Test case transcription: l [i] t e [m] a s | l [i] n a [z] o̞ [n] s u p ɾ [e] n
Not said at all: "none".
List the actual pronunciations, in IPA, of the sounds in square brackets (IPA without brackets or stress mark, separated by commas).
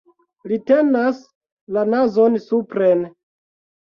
i, n, a, z, n, e